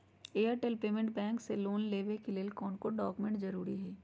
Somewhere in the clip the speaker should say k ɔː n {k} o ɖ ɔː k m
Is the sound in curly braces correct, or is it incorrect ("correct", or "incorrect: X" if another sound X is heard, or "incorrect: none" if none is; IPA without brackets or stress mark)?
correct